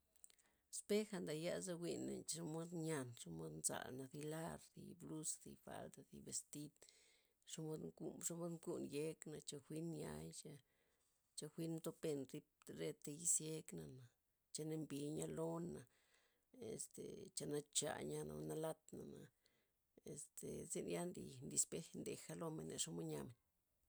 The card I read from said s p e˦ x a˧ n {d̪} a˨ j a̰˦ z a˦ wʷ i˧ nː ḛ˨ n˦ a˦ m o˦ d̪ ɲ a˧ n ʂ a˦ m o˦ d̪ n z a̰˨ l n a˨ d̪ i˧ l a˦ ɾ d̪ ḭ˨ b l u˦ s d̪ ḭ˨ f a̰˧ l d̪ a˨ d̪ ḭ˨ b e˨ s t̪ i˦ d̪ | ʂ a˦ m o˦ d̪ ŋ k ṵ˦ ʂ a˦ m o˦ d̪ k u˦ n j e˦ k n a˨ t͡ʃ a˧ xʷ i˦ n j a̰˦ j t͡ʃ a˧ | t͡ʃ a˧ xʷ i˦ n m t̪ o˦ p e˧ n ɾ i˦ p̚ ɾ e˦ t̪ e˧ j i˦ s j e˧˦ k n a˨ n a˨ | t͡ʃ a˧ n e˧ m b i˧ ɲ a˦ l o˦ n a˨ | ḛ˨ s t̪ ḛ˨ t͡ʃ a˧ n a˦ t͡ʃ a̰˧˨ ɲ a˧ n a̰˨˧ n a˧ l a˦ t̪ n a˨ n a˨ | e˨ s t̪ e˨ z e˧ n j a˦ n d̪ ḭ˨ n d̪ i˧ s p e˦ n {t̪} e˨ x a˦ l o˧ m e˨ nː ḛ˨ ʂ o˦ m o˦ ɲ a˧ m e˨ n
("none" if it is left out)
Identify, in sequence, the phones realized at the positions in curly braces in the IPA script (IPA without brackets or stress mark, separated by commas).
d̪, d̪